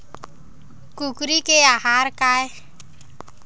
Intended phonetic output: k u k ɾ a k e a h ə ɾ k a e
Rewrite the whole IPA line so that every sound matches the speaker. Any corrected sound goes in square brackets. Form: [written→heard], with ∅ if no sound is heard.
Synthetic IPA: k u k ɾ [a→i] k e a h [ə→a] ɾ k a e